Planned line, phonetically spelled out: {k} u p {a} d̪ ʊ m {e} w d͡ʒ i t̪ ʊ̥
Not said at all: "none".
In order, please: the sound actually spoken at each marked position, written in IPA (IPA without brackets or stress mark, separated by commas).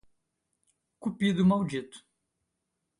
k, i, a